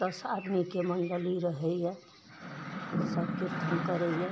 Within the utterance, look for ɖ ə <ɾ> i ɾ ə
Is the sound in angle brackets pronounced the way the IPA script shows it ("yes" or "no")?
no